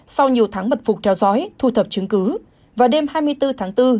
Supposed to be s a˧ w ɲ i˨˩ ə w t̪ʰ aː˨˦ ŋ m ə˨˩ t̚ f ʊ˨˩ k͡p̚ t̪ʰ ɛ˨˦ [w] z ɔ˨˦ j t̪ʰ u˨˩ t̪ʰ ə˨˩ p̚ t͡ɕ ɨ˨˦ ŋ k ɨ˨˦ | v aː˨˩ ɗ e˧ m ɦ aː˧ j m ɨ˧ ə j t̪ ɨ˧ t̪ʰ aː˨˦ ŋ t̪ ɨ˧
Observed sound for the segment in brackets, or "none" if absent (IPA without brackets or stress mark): w